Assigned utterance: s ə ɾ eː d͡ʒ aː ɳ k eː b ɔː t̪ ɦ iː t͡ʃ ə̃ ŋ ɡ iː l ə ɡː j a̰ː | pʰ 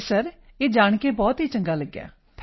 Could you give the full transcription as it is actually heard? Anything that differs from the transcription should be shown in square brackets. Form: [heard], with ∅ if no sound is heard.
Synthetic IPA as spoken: s ə ɾ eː d͡ʒ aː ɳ k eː b ɔː t̪ ɦ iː t͡ʃ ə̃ ŋ ɡ [aː] l ə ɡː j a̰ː | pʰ